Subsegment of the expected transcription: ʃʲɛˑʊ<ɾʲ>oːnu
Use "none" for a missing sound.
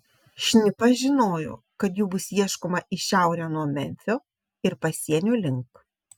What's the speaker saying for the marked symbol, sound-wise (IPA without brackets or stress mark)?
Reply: ɾʲ